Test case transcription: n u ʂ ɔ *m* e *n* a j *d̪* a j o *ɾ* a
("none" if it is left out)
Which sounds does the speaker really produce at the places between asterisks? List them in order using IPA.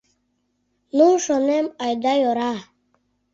n, m, d̪, ɾ

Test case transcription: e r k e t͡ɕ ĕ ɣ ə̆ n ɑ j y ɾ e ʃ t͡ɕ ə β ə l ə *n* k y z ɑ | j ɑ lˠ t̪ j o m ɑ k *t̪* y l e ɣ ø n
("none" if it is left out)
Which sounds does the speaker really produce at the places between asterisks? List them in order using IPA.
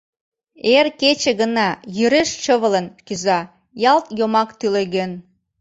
n, t̪

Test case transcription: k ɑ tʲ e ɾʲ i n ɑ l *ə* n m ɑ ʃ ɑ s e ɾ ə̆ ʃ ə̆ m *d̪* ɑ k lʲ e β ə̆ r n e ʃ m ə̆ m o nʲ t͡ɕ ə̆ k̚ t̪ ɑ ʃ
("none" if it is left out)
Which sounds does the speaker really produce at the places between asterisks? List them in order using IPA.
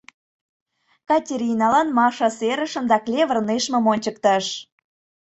ɑ, d̪

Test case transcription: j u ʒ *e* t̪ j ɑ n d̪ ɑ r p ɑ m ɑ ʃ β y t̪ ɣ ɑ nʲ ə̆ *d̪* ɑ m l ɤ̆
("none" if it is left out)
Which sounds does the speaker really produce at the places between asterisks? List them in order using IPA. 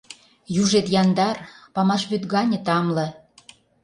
e, t̪

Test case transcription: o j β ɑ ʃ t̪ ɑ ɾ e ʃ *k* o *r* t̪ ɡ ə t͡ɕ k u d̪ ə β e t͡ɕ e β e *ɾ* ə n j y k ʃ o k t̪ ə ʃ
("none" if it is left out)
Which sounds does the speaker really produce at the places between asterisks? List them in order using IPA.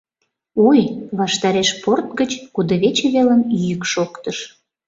p, r, l

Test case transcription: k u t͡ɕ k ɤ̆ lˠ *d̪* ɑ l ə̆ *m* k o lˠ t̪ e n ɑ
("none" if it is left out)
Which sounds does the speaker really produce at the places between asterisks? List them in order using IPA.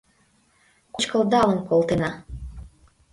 d̪, n

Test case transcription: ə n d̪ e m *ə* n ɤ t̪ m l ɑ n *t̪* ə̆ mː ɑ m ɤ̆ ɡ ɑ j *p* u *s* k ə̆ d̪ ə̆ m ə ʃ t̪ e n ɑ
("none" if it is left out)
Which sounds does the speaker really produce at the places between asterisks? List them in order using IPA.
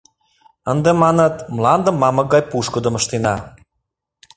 ɑ, d̪, p, ʃ

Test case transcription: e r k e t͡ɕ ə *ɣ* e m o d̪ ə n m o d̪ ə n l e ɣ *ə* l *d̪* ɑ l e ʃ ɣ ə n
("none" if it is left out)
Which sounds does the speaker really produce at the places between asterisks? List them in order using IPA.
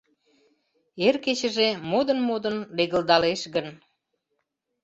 ʒ, ə, d̪

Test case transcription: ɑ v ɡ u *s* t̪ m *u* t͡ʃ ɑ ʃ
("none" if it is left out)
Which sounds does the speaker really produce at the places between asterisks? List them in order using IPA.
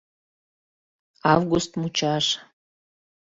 s, u

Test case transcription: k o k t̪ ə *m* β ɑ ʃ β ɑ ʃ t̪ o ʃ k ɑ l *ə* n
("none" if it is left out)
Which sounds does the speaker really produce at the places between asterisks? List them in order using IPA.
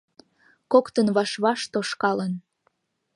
n, ə

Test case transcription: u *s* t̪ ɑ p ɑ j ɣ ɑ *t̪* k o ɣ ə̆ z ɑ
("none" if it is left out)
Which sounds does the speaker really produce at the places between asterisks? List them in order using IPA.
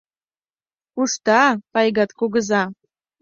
ʃ, t̪

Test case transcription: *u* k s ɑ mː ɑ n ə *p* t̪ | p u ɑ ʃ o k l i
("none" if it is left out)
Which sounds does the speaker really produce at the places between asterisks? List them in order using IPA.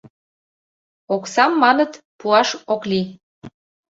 o, none

